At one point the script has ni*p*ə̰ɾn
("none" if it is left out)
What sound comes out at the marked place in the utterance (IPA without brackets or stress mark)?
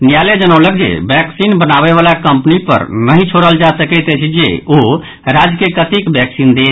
p